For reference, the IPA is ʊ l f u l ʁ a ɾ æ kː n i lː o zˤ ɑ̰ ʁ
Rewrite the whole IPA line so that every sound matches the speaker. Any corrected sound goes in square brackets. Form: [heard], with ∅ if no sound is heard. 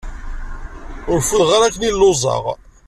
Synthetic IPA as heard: ʊ [ɾ] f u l ʁ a ɾ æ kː n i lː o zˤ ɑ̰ ʁ